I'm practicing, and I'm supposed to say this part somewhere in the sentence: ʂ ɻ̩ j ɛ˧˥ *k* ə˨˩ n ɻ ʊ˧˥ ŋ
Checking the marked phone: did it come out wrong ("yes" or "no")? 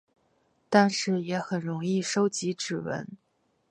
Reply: yes